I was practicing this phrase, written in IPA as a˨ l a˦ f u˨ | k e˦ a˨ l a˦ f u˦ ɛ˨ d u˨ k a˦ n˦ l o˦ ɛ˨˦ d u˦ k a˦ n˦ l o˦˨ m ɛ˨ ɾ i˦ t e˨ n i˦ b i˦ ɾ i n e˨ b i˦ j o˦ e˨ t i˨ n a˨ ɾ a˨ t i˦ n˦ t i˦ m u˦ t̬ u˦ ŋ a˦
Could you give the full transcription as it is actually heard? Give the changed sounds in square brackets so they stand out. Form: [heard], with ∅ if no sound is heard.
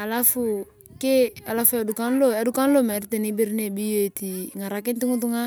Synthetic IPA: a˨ l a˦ f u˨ | k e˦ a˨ l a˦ f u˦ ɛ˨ d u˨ k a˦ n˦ l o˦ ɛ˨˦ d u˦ k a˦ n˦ l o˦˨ m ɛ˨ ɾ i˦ t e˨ n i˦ b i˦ ɾ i n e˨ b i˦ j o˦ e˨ t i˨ [ŋ] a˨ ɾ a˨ [k] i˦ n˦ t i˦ [ŋ] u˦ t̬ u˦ ŋ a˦